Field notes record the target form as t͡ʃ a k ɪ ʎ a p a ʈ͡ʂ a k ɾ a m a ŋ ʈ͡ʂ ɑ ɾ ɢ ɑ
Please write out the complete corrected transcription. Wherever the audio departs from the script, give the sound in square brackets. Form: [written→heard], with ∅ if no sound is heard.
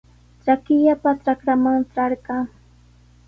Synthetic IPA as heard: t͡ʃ a k ɪ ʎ a p a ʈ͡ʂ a k ɾ a m a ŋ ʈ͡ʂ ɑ ɾ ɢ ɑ

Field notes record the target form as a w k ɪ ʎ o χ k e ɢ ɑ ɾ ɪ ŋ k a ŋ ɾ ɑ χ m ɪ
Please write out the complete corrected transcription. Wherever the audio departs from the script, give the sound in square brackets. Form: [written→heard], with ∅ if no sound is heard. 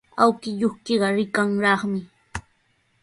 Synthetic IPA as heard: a w k ɪ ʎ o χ k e ɢ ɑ ɾ ɪ [ŋ→∅] k a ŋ ɾ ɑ χ m ɪ

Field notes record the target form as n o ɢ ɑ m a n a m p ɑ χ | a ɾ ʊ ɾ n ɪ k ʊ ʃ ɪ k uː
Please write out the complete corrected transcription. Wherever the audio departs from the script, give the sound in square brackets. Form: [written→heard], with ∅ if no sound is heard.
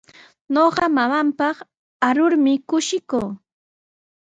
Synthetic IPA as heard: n o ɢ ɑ m a [n→m] a m p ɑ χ | a ɾ ʊ ɾ [n→m] ɪ k ʊ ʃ ɪ k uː

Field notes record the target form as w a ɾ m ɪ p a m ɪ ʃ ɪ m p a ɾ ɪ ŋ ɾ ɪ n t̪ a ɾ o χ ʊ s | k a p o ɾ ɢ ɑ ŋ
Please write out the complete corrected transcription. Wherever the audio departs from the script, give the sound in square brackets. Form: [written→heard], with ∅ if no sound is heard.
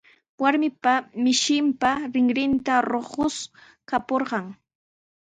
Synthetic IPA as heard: w a ɾ m ɪ p a m ɪ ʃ ɪ m p a ɾ ɪ ŋ ɾ ɪ n t̪ a ɾ o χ ʊ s | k a p o ɾ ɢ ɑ ŋ

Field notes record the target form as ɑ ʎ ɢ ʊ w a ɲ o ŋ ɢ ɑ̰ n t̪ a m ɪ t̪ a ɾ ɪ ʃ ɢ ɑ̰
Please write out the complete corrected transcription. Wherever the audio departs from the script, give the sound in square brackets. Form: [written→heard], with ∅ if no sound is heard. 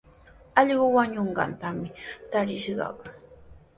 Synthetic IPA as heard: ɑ ʎ ɢ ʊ w a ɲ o [ŋ→ɴ] ɢ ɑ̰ n t̪ a m ɪ t̪ a ɾ ɪ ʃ ɢ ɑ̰

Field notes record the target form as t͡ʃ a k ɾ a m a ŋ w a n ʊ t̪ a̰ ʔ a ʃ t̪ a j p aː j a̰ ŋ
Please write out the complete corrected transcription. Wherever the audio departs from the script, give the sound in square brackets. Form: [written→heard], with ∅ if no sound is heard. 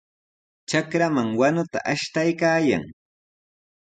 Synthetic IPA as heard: t͡ʃ a k ɾ a m a ŋ w a n ʊ t̪ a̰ ʔ a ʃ t̪ a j [p→k] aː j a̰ ŋ

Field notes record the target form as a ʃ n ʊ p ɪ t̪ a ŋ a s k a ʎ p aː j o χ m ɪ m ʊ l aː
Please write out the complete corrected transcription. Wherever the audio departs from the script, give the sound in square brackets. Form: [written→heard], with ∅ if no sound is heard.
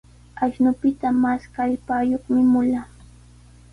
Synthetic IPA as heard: a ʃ n ʊ p ɪ t̪ a [ŋ→m] a s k a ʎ p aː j o χ m ɪ m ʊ l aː

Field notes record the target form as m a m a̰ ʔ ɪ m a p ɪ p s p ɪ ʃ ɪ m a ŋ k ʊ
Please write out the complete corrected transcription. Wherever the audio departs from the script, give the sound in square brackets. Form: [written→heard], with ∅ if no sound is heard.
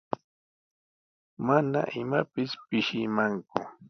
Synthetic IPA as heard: m a [m→n] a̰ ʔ ɪ m a p ɪ [p→∅] s p ɪ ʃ ɪ m a ŋ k ʊ

